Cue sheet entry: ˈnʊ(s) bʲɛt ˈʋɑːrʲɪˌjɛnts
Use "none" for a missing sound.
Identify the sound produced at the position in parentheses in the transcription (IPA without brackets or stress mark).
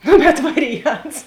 none